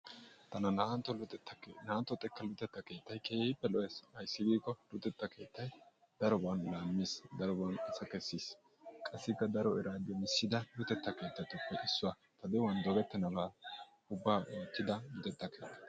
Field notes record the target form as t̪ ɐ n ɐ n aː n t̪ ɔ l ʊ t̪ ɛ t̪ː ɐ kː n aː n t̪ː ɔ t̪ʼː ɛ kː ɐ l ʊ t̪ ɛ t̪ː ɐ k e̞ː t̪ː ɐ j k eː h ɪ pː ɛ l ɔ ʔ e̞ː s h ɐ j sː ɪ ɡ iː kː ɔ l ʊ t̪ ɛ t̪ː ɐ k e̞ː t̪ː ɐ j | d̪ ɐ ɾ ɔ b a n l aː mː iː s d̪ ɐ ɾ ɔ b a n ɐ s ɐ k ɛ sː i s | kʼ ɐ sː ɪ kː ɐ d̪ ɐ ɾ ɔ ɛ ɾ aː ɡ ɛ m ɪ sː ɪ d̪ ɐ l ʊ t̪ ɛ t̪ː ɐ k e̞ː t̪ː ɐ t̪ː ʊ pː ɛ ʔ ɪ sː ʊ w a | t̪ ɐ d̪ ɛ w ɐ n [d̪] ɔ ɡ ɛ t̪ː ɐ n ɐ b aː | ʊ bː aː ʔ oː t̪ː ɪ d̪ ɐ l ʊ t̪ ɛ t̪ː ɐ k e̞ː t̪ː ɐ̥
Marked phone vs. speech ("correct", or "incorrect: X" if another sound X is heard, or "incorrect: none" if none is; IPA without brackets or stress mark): correct